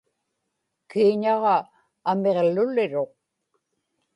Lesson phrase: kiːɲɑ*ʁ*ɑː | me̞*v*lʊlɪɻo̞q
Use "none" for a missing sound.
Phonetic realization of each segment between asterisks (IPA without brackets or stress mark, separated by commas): ʁ, ʁ